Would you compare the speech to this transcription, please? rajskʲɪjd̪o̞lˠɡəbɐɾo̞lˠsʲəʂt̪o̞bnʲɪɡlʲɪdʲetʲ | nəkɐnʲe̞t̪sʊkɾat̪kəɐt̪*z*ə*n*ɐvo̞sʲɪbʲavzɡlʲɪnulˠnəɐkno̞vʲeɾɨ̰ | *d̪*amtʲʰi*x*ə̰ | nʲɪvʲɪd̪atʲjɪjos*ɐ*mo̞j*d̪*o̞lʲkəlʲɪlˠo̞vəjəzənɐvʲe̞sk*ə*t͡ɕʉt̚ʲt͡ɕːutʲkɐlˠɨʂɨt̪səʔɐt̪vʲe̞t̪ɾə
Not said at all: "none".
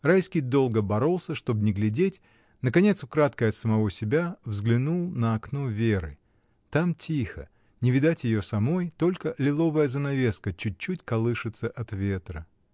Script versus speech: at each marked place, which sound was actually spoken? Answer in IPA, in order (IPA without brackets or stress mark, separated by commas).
s, m, t̪, x, ɐ, t̪, ə